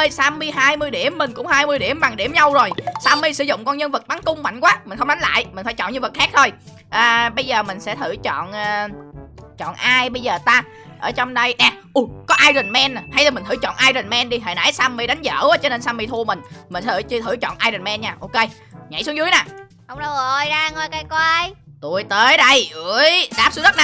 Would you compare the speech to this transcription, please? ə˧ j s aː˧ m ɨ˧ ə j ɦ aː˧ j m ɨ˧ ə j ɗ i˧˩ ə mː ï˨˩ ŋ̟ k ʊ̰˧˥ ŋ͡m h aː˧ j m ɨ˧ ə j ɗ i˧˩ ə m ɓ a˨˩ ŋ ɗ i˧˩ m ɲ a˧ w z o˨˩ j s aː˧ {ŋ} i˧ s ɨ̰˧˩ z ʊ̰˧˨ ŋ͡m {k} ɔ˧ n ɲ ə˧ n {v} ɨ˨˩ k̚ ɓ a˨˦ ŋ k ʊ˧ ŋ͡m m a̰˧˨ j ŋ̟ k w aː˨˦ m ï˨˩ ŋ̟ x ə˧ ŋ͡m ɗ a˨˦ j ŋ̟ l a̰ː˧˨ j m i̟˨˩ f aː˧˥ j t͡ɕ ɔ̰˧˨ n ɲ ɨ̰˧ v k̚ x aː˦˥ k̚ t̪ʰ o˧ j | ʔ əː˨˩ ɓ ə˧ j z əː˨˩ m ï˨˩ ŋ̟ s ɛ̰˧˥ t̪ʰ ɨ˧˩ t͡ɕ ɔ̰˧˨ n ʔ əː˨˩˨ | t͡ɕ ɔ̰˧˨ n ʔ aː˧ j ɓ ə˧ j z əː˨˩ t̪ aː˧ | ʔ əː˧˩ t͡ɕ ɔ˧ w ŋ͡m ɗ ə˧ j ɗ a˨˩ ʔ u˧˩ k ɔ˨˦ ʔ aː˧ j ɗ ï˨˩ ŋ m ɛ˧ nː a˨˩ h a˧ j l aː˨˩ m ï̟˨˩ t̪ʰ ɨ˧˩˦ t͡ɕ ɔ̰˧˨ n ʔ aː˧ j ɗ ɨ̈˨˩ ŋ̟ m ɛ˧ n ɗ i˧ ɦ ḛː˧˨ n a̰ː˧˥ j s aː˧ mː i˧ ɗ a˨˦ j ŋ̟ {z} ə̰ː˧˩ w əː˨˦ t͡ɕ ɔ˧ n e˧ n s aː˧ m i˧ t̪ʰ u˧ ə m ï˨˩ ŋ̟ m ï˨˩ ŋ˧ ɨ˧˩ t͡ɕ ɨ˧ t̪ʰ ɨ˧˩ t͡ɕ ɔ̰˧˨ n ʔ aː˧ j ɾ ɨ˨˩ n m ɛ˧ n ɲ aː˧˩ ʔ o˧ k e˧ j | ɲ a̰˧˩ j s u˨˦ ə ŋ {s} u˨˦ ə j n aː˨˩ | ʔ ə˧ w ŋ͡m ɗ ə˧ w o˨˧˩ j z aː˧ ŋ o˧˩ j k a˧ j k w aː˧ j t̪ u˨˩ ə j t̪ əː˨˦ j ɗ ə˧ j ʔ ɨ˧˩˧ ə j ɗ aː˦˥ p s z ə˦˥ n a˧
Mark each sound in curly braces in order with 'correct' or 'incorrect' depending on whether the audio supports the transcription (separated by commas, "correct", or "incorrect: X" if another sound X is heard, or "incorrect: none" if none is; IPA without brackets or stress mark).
incorrect: m, correct, correct, correct, incorrect: z